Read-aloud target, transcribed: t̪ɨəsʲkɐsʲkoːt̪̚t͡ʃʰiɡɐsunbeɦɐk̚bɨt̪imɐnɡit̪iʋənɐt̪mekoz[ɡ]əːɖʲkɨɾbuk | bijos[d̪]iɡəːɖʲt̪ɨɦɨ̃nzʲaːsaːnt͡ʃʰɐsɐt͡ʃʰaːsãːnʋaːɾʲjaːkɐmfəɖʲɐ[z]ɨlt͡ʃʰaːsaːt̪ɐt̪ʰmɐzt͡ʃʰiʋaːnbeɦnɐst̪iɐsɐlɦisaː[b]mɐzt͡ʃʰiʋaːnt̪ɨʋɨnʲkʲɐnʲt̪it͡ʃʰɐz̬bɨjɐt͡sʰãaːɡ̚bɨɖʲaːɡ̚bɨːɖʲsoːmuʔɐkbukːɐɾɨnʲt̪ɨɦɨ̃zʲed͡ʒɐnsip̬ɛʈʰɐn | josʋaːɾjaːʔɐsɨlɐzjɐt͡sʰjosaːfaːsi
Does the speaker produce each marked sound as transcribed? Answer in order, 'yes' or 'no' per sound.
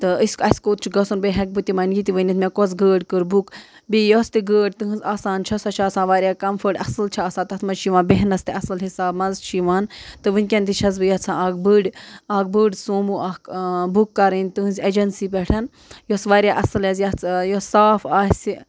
yes, no, no, yes

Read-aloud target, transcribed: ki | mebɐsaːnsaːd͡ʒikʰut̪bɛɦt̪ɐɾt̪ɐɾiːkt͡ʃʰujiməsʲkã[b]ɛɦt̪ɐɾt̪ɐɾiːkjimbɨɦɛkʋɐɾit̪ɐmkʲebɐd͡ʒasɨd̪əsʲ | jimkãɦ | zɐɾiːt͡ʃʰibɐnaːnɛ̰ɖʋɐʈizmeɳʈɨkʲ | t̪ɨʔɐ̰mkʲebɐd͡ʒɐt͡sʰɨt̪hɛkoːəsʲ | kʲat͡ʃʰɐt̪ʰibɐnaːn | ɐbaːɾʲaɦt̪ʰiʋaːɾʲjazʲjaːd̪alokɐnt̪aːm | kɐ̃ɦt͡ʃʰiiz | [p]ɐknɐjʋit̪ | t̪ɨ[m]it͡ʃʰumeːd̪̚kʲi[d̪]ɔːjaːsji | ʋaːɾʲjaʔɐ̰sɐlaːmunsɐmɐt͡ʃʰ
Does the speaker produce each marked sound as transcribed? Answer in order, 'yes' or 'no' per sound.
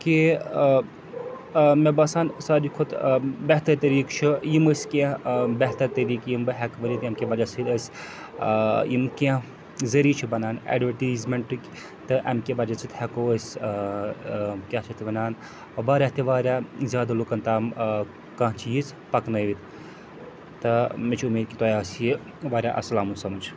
yes, yes, yes, no

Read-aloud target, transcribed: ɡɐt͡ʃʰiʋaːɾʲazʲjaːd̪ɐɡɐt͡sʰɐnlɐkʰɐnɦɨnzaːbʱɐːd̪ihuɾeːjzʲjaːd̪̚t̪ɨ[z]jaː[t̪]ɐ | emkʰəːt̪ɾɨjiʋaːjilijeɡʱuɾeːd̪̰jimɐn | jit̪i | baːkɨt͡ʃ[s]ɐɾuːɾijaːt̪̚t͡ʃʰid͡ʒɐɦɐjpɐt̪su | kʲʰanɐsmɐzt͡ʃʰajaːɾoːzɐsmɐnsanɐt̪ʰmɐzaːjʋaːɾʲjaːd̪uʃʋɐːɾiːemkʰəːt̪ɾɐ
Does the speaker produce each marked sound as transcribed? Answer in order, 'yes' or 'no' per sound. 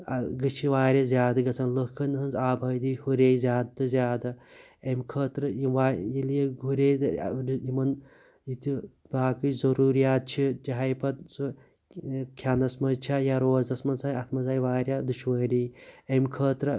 yes, no, no

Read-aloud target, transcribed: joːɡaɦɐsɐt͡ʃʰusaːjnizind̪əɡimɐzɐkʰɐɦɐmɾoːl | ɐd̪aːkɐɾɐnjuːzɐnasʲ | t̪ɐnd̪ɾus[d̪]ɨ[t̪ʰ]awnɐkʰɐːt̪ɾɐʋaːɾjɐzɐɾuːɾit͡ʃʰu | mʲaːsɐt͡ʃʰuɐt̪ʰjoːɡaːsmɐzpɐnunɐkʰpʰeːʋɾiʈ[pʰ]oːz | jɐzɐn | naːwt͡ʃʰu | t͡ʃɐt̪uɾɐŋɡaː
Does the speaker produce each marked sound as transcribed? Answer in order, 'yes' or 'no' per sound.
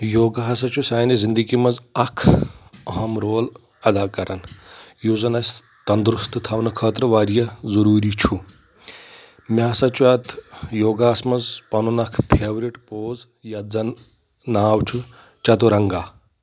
no, yes, no

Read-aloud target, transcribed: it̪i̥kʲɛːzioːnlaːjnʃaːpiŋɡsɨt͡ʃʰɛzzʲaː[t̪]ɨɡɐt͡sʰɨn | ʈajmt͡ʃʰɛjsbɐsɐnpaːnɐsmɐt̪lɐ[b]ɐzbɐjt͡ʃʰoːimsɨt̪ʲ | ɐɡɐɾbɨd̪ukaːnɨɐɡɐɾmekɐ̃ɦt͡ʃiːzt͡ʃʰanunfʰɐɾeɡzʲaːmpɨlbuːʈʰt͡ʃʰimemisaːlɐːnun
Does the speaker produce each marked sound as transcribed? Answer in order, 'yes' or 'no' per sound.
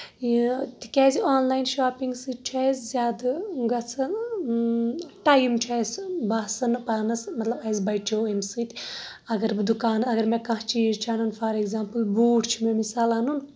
no, yes

